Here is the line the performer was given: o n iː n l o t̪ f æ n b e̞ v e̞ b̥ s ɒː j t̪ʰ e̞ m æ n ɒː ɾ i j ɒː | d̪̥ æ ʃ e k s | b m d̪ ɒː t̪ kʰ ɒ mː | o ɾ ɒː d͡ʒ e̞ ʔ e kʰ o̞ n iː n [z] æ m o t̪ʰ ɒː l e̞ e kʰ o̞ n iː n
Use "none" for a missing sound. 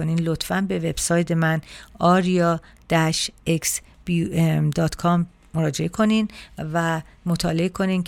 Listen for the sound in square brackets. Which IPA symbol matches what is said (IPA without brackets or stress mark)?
v